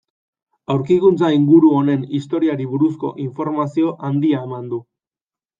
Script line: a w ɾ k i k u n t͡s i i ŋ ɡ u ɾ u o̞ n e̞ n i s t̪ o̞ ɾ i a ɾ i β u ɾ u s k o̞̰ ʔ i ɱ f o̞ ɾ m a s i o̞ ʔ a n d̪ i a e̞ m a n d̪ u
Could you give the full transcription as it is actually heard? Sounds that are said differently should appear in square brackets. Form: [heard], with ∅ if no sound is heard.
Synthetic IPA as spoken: a w ɾ k i k u n t͡s [a] i ŋ ɡ u ɾ u o̞ n e̞ n i s t̪ o̞ ɾ i a ɾ i β u ɾ u s k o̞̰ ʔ i ɱ f o̞ ɾ m a s i o̞ ʔ a n d̪ i a e̞ m a n d̪ u